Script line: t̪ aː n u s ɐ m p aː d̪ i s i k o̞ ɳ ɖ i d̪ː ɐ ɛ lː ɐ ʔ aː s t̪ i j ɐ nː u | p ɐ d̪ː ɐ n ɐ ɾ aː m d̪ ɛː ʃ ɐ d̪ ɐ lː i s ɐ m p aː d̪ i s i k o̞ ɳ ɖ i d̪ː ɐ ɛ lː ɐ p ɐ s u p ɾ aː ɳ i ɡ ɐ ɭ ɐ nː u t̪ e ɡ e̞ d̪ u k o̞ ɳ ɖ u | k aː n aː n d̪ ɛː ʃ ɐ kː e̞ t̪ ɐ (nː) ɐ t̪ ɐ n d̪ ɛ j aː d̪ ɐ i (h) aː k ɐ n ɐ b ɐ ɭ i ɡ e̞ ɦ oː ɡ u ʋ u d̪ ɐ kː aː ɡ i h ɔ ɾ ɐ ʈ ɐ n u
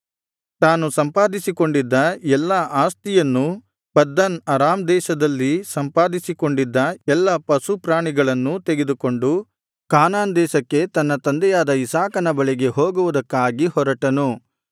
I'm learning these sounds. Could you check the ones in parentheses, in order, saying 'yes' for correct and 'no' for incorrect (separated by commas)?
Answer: yes, no